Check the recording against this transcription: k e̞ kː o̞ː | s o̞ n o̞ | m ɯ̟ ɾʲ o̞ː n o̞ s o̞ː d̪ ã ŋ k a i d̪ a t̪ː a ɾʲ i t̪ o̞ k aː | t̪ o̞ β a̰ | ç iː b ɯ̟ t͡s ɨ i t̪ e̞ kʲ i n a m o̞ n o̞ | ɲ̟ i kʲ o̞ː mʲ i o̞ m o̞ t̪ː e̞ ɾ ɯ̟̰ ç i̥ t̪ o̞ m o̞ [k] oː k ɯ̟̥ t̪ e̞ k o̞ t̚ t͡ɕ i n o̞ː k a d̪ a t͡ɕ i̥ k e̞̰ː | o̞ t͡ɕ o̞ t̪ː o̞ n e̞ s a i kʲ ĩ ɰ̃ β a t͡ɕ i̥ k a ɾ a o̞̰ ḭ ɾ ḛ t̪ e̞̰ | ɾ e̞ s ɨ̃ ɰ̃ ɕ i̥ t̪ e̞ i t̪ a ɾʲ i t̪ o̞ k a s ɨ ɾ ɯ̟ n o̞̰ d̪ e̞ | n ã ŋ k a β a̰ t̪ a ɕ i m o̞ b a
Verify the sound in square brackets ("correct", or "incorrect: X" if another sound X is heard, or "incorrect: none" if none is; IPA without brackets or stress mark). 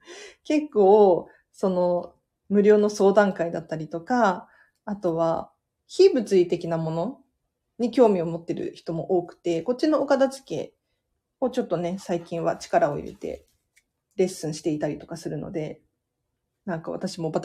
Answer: incorrect: ʔ